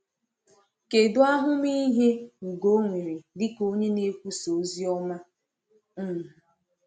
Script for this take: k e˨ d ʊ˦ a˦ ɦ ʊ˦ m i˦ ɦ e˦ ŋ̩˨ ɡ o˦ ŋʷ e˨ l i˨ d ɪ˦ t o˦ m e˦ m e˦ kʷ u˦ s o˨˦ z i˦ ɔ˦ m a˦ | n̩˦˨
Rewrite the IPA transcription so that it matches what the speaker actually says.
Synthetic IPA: k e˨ d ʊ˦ a˦ ɦ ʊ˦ m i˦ ɦ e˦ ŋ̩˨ ɡ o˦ ŋʷ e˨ ɾ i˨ d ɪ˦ k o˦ ɲ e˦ n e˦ kʷ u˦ s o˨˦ z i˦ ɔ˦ m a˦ | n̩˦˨